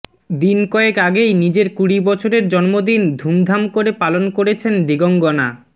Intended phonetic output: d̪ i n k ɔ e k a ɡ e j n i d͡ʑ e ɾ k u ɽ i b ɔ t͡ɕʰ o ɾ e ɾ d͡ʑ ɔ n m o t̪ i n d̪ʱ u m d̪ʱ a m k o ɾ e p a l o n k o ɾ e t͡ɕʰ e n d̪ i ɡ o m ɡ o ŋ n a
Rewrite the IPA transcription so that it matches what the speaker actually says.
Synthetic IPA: d̪ i n k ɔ e k a ɡ e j n i d͡ʑ e ɾ k u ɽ i b ɔ t͡ɕʰ o ɾ e ɾ d͡ʑ ɔ n m o d̪ i n d̪ʱ u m d̪ʱ a m k o ɾ e p a l o n k o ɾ e t͡ɕʰ e n d̪ i ɡ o ŋ ɡ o n a